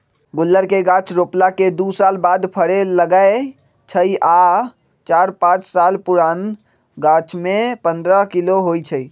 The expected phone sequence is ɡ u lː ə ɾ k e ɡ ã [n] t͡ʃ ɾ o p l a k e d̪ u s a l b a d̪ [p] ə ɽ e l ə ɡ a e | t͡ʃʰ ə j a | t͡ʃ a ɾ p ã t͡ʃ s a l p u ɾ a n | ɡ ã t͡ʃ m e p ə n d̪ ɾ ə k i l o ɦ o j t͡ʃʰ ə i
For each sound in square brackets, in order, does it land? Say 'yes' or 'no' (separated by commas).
no, no